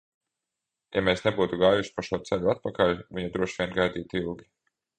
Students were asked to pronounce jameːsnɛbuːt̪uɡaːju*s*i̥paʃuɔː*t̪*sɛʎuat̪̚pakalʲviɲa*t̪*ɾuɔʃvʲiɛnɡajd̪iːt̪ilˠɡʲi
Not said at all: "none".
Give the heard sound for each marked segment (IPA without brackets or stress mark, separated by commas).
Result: ʃ, t̪, d̪